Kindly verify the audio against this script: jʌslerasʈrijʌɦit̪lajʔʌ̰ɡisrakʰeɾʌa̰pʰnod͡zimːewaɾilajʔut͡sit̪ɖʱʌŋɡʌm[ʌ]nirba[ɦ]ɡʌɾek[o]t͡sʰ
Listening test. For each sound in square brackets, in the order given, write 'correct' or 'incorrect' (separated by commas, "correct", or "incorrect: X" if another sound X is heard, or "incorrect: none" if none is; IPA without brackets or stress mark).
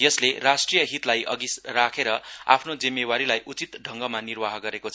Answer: incorrect: a, correct, correct